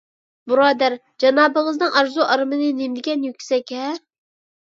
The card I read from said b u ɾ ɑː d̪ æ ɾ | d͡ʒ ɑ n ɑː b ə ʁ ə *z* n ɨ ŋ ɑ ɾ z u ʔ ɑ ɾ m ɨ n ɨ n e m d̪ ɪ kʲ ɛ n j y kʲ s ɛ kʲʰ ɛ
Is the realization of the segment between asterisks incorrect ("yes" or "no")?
no